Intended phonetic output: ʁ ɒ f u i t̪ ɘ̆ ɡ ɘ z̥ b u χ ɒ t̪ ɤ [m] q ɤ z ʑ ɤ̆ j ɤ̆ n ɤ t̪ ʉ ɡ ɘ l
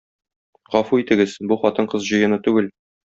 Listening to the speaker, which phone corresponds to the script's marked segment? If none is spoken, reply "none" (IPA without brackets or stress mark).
ɴ